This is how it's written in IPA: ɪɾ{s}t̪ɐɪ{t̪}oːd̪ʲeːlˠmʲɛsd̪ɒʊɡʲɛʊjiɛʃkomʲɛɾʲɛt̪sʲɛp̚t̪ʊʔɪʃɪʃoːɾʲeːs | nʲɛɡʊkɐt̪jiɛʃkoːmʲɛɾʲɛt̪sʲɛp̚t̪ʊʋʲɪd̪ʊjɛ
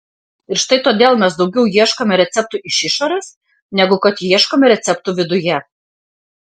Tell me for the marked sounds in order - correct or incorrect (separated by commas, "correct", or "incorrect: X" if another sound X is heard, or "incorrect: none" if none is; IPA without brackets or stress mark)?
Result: incorrect: ʃ, correct